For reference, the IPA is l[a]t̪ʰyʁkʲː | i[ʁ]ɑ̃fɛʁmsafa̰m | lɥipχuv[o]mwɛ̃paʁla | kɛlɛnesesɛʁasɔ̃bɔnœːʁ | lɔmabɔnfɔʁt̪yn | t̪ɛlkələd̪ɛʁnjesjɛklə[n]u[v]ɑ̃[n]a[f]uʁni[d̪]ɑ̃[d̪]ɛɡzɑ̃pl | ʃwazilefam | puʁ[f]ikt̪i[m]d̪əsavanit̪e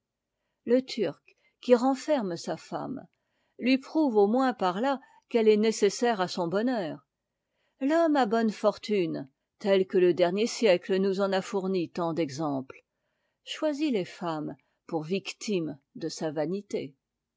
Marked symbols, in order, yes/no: no, yes, yes, yes, no, yes, yes, no, yes, no, yes

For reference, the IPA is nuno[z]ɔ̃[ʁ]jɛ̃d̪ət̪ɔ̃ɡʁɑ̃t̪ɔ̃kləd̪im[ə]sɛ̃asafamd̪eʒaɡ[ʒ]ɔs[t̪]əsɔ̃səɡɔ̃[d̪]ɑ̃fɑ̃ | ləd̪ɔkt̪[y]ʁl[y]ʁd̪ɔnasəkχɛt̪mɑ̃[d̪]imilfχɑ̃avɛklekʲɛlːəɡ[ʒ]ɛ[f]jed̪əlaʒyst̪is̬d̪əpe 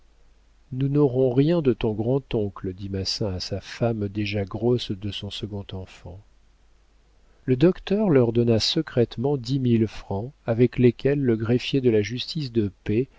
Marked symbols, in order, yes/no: no, yes, no, no, no, no, no, no, yes, no, yes

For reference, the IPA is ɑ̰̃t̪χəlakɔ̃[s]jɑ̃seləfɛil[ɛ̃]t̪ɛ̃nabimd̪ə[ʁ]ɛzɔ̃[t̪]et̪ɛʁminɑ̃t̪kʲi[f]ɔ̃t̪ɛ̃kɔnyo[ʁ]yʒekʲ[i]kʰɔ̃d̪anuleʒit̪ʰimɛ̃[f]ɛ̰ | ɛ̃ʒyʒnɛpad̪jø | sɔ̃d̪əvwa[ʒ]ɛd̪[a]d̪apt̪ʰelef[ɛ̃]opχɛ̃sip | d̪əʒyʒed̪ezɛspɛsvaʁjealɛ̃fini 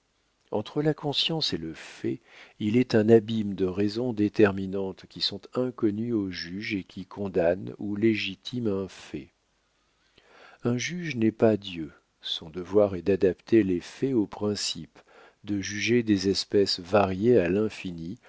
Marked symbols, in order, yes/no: yes, no, yes, no, no, no, yes, yes, no, yes, no

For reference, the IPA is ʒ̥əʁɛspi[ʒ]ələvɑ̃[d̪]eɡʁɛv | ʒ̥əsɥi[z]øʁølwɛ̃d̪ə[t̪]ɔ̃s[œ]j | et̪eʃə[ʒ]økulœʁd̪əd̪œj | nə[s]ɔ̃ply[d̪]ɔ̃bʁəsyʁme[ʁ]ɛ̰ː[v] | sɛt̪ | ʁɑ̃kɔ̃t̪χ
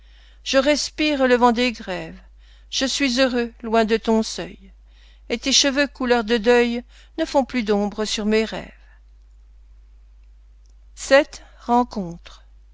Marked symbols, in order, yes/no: no, yes, yes, yes, yes, no, no, yes, yes, yes

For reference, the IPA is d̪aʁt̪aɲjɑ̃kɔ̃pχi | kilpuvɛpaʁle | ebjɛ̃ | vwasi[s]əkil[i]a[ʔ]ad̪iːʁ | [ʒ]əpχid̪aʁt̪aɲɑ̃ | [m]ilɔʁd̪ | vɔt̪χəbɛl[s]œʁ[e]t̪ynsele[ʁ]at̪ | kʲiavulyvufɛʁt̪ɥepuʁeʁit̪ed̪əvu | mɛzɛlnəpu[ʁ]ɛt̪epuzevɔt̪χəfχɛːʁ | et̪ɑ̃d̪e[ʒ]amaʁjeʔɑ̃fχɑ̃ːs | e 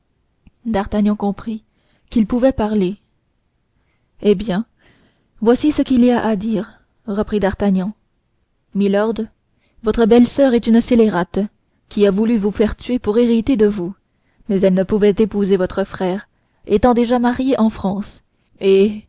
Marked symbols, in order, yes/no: yes, yes, yes, no, yes, yes, no, yes, no, yes

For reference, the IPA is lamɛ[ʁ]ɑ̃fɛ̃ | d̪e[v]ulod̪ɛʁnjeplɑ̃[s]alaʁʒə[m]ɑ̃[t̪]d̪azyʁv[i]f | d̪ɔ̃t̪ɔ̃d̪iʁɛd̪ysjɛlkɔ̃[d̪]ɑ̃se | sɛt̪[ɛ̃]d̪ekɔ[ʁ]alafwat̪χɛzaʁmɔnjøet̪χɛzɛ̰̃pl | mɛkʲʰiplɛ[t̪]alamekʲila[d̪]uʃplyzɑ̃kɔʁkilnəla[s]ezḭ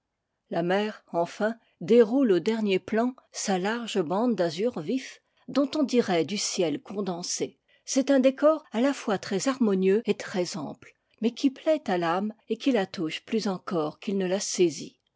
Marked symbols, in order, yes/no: yes, no, yes, no, no, yes, yes, yes, yes, yes, no, yes

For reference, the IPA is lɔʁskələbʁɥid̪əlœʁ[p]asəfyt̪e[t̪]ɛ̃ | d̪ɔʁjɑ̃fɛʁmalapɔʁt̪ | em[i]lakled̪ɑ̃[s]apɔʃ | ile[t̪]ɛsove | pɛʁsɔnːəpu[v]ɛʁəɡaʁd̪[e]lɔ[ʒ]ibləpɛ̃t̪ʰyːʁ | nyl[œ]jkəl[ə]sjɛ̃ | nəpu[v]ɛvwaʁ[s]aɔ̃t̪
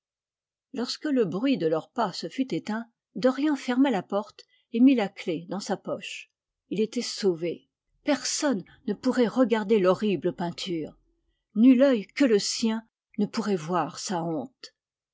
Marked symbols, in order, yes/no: yes, yes, yes, yes, yes, no, yes, no, yes, yes, no, yes

